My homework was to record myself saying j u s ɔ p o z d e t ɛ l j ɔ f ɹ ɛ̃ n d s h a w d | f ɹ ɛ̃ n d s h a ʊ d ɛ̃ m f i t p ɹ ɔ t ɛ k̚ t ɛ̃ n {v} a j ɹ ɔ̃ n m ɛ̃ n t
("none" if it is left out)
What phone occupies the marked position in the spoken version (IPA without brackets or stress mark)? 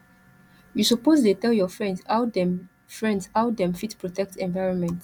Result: v